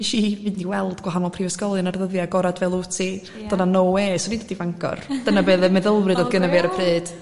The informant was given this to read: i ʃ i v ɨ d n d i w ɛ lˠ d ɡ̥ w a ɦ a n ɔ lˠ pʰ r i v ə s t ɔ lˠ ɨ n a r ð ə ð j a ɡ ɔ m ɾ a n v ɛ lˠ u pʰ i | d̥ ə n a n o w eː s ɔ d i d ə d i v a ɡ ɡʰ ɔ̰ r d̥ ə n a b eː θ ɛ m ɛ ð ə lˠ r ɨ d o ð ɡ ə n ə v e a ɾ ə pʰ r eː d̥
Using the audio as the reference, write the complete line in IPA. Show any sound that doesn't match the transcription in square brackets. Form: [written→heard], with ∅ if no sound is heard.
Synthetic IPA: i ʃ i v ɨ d n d i w ɛ lˠ d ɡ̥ w a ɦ a n ɔ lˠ pʰ r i v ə s [t→k] ɔ lˠ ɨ n a r ð ə ð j a ɡ ɔ [m→∅] ɾ a [n→d] v ɛ lˠ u [pʰ→tʰ] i | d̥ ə n a n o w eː s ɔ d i d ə d i v a [ɡ→ŋ] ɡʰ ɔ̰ r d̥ ə n a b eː [θ→ð] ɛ m ɛ ð ə lˠ r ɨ d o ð ɡ ə n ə v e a ɾ ə pʰ r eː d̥